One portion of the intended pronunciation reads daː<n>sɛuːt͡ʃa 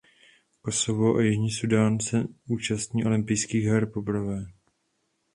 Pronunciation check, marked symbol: correct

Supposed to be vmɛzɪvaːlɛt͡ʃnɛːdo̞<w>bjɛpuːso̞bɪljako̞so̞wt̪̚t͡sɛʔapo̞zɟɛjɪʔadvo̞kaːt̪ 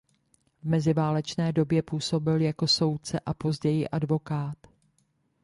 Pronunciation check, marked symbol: incorrect: none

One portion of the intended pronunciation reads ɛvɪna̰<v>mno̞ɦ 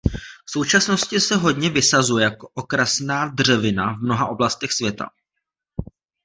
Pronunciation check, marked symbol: correct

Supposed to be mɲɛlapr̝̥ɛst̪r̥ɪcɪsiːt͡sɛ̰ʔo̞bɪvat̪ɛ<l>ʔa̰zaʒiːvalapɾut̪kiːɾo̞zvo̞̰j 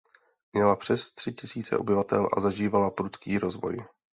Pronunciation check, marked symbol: correct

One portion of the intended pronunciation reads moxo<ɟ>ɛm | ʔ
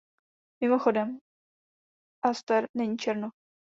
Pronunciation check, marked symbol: incorrect: d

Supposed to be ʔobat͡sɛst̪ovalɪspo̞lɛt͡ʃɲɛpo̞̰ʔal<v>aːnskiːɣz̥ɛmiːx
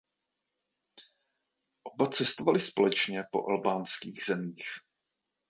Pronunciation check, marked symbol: incorrect: b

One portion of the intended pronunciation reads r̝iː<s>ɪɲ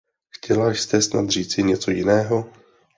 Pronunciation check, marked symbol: incorrect: t͡s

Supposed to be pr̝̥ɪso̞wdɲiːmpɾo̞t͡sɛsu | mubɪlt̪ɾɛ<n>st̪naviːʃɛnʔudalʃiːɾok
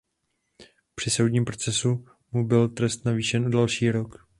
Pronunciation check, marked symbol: incorrect: none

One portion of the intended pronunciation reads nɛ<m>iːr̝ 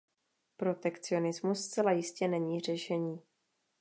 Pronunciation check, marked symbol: incorrect: ɲ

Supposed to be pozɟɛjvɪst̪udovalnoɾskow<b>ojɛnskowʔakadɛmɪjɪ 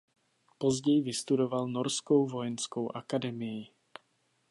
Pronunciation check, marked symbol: incorrect: v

